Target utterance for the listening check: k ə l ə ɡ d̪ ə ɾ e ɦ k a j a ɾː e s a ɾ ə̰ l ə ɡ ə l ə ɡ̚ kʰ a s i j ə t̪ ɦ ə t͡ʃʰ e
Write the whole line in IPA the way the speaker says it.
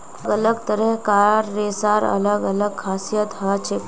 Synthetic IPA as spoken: ɡ ə l ə ɡ t̪ ə ɾ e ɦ k a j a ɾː e s a ɾ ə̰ l ə ɡ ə l ə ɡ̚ kʰ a s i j ə t̪ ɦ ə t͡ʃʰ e